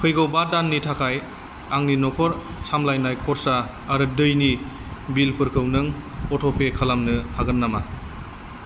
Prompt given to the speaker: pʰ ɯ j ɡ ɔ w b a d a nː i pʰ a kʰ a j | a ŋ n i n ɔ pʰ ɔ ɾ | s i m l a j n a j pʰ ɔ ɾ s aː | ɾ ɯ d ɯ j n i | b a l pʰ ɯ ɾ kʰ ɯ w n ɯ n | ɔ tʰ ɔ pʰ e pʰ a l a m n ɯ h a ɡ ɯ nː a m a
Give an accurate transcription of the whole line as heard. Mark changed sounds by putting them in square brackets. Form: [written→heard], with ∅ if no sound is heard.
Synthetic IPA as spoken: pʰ ɯ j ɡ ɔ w b a d a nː i [pʰ→tʰ] a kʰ a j | a ŋ n i n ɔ [pʰ→kʰ] ɔ ɾ | s [i→a] m l a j n a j [pʰ→kʰ] ɔ ɾ s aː | ɾ ɯ d ɯ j n i | b [a→i] l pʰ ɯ ɾ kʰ ɯ w n ɯ [n→ŋ] | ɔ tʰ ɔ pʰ e [pʰ→kʰ] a l a m n ɯ h a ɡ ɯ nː a m a